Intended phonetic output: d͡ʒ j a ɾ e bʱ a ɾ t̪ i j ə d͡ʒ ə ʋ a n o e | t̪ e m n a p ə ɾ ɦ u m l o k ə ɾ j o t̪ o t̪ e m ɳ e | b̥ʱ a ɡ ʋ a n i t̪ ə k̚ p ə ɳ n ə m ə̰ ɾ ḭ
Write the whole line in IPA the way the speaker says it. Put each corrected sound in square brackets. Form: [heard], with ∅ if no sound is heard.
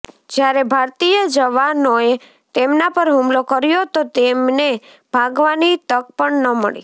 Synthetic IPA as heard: d͡ʒ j a ɾ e bʱ a ɾ t̪ i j ə d͡ʒ ə ʋ a n o e | t̪ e m n a p ə ɾ ɦ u m l o k ə ɾ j o t̪ o t̪ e m [n] e | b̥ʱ a ɡ ʋ a n i t̪ ə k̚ p ə ɳ n ə m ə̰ [ɭ] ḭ